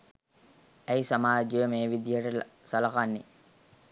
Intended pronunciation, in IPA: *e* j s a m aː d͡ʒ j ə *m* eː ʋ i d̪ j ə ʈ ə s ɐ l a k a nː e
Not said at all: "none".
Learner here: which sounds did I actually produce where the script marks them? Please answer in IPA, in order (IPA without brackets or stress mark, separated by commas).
æ, m